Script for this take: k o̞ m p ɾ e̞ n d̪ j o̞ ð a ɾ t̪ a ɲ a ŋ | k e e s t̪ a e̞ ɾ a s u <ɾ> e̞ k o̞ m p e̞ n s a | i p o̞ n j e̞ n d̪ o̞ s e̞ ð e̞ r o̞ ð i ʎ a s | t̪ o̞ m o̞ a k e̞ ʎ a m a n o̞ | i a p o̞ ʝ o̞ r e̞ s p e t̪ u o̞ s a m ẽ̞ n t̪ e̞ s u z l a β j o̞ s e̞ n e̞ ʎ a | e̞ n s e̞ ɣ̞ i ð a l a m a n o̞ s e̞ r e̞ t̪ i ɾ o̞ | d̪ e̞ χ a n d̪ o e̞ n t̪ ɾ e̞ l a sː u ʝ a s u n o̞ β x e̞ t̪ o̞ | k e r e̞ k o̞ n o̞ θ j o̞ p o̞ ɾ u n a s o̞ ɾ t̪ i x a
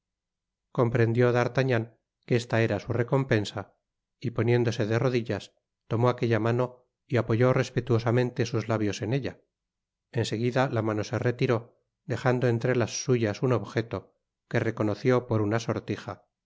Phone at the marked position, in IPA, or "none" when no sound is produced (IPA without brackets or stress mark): r